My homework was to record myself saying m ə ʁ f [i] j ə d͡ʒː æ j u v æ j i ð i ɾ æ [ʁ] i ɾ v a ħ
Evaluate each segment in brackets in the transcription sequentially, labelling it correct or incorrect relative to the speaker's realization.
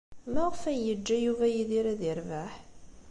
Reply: incorrect, incorrect

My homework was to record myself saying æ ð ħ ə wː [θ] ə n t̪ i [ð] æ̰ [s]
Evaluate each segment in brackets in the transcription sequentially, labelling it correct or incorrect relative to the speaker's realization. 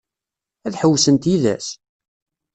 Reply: incorrect, correct, correct

